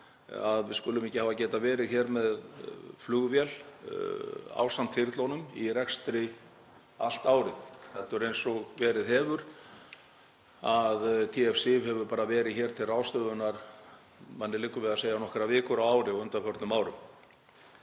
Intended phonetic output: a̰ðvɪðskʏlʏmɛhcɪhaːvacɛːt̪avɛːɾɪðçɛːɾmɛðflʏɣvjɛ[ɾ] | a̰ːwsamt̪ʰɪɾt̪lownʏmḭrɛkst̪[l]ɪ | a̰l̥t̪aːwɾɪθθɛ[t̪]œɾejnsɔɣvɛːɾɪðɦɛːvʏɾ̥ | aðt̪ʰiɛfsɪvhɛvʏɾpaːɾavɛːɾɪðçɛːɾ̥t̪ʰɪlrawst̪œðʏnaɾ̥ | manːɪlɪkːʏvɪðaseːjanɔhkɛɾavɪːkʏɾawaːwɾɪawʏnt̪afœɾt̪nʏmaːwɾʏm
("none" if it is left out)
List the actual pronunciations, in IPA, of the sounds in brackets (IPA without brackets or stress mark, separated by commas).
l, ɾ, t̪